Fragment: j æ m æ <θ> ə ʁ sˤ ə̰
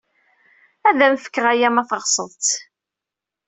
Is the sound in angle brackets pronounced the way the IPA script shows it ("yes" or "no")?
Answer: yes